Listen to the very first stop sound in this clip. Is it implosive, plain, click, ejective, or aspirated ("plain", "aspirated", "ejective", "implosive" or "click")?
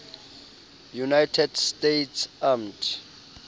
aspirated